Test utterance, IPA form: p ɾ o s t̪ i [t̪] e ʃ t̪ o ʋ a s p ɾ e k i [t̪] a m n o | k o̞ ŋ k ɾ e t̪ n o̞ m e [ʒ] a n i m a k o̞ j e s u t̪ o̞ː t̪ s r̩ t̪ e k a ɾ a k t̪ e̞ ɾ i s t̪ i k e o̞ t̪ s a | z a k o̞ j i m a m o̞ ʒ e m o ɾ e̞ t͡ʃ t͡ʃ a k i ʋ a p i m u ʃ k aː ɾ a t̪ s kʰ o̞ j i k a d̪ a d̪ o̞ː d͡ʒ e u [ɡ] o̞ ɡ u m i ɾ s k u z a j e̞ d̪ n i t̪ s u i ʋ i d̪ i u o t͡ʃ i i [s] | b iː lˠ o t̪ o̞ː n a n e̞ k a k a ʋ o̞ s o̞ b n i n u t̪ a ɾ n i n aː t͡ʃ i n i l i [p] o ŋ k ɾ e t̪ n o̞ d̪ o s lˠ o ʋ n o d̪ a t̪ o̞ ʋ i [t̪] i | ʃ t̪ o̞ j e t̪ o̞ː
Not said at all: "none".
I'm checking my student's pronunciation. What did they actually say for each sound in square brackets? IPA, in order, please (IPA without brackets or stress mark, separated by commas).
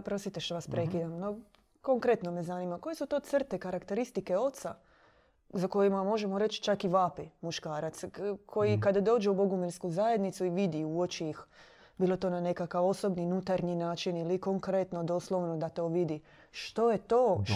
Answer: t̪, d̪, z, b, x, k, d̪